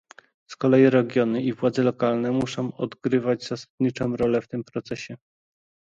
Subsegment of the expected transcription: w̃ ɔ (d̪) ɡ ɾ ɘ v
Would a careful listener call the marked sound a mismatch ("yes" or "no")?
no